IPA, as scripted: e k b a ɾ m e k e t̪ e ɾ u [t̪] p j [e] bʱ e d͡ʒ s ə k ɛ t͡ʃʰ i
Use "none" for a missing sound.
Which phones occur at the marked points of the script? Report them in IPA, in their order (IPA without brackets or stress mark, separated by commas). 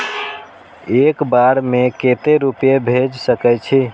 none, e